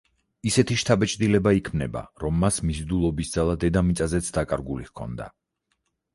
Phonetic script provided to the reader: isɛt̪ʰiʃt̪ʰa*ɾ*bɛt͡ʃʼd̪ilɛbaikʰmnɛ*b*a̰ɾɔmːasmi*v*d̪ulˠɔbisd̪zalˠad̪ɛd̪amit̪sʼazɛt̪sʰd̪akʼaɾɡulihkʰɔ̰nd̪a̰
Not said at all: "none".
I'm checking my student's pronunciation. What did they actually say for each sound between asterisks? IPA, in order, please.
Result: none, b, z

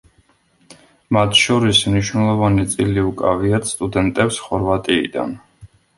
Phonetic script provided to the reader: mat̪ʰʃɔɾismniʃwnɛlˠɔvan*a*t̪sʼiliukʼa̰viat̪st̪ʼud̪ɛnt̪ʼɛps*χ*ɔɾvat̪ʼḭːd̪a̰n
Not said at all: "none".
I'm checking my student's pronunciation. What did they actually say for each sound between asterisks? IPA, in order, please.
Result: i, χ

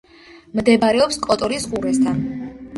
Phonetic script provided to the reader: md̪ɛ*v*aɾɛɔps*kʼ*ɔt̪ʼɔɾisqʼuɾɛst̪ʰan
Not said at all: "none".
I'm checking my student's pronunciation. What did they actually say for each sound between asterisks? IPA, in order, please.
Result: b, kʼ

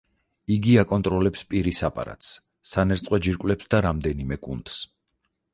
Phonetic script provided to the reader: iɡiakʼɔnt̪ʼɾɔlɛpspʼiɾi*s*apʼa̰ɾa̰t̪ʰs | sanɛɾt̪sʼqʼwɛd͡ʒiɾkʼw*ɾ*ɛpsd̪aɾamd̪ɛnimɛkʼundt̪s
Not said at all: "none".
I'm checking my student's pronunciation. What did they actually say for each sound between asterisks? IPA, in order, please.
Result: s, l

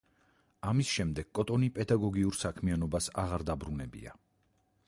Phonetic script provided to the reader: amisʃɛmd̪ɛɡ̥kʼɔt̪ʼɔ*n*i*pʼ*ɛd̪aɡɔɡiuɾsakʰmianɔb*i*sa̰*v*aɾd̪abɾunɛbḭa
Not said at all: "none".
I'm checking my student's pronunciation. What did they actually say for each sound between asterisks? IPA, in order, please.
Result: n, pʼ, a, ʁ

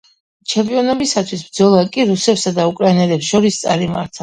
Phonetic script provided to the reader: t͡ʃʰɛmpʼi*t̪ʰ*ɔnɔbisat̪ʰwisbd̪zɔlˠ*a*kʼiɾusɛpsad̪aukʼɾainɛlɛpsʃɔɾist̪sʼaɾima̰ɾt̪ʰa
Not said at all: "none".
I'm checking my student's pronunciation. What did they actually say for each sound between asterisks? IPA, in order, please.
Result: none, a

